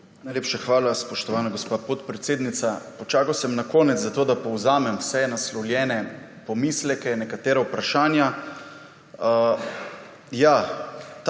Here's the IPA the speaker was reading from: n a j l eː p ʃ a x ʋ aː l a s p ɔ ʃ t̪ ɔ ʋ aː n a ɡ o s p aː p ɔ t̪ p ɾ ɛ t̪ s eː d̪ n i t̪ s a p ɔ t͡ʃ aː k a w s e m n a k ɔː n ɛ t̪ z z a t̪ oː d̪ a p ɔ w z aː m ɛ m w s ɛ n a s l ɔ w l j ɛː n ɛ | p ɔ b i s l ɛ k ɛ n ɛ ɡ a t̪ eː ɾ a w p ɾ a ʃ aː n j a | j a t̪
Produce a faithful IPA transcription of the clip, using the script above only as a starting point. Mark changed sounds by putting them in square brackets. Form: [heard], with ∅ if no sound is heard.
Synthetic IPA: n a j l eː p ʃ a x ʋ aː l a s p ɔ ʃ t̪ ɔ ʋ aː n a ɡ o s p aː p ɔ t̪ p ɾ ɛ t̪ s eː d̪ n i t̪ s a p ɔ t͡ʃ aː k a w s [ɛ] m n a k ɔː n ɛ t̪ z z a t̪ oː d̪ a p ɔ w z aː m ɛ m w s ɛ n a s l ɔ w l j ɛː n ɛ | p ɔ [m] i s l ɛ k ɛ n ɛ [k] a t̪ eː ɾ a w p ɾ a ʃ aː n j a | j a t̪